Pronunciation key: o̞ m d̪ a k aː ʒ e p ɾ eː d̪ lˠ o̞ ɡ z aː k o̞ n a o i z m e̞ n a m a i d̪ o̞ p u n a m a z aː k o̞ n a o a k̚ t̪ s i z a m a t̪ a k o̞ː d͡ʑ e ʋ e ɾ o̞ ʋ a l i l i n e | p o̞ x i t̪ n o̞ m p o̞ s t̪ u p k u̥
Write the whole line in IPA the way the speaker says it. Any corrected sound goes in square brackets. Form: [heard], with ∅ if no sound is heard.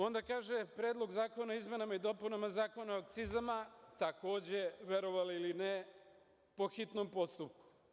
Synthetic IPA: o̞ [n] d̪ a k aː ʒ e p ɾ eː d̪ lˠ o̞ ɡ z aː k o̞ n a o i z m e̞ n a m a i d̪ o̞ p u n a m a z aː k o̞ n a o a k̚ t̪ s i z a m a t̪ a k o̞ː d͡ʑ e ʋ e ɾ o̞ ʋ a l i l i n e | p o̞ x i t̪ n o̞ m p o̞ s t̪ u p k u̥